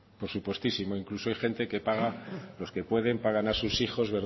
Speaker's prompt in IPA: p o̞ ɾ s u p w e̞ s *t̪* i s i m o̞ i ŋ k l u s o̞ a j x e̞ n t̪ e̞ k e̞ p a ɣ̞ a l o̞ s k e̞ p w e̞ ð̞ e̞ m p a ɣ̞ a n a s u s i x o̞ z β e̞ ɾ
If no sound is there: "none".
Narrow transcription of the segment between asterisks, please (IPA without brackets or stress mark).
t̪